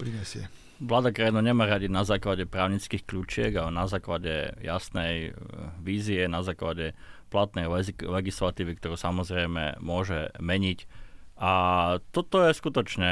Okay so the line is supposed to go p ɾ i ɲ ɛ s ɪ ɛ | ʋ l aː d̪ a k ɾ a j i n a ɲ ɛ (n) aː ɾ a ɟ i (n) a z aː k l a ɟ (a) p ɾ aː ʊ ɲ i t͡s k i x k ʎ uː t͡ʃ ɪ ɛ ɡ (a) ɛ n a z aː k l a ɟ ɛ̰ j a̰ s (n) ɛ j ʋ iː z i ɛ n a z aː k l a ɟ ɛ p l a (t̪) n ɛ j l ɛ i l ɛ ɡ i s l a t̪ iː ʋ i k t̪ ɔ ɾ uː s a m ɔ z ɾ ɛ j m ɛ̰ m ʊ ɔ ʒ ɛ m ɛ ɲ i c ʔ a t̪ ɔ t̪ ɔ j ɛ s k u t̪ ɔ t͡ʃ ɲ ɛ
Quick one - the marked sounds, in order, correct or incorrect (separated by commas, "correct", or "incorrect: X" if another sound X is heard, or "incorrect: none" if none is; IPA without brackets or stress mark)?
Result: incorrect: m, correct, incorrect: ɛ, correct, correct, correct